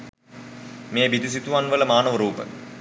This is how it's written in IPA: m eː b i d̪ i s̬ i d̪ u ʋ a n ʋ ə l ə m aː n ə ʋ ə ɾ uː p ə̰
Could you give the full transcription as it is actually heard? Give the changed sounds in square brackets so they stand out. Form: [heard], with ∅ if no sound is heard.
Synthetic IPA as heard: m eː b i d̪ i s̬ i [t̪] u ʋ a n ʋ ə l ə m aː n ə ʋ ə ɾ uː p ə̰